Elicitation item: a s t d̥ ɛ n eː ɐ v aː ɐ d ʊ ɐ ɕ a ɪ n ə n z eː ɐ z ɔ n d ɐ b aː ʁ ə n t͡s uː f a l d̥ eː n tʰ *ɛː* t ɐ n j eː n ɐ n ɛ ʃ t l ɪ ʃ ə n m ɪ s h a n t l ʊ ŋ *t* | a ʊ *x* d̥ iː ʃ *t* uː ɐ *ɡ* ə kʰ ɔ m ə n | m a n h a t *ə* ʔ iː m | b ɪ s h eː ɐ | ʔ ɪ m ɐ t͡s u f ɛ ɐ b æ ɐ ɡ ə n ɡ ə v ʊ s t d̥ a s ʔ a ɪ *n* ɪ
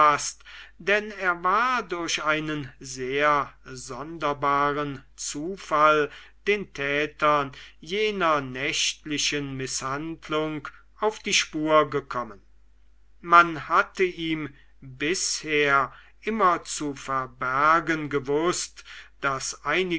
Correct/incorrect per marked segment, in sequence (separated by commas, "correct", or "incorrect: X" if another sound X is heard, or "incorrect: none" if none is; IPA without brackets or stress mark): correct, incorrect: k, incorrect: f, incorrect: p, correct, correct, correct